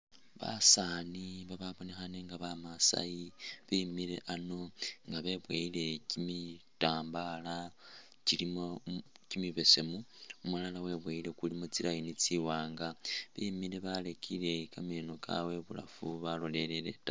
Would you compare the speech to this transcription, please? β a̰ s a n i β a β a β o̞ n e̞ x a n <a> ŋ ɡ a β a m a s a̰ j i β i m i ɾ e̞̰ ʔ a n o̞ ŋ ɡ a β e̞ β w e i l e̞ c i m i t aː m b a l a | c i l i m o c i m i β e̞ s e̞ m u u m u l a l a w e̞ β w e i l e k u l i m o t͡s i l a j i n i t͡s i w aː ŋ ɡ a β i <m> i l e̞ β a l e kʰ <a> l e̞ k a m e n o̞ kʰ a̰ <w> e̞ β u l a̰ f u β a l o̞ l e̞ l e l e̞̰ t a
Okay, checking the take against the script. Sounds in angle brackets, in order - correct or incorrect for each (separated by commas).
incorrect, correct, incorrect, correct